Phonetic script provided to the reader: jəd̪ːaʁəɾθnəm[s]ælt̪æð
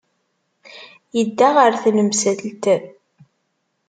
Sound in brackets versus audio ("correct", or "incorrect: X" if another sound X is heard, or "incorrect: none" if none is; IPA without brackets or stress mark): correct